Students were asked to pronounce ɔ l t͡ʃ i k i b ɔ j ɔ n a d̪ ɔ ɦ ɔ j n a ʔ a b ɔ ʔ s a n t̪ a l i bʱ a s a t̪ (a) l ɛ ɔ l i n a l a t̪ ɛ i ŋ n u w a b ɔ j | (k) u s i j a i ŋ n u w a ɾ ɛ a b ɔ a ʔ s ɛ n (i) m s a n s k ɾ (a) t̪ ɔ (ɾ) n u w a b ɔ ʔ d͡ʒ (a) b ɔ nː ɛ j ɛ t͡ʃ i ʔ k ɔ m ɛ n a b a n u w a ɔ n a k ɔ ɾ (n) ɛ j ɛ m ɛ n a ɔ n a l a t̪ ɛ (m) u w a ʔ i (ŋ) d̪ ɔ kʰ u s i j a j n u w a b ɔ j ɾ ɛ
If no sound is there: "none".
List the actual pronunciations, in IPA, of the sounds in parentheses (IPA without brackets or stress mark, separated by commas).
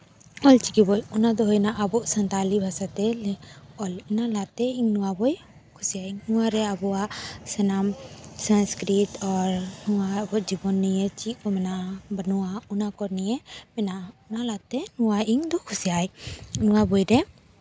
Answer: ɛ, kʰ, a, i, ɾ, i, n, n, ŋ